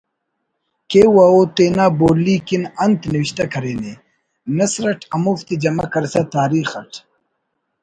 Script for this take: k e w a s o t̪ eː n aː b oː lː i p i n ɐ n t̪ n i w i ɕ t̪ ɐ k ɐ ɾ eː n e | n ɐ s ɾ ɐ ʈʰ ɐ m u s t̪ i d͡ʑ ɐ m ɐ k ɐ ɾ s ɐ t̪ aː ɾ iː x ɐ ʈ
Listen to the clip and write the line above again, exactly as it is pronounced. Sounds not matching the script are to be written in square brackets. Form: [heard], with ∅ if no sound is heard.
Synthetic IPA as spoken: k e w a [∅] o t̪ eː n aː b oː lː i [k] i n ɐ n t̪ n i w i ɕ t̪ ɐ k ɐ ɾ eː n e | n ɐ s ɾ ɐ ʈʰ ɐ m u [f] t̪ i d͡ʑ ɐ m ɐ k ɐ ɾ s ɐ t̪ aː ɾ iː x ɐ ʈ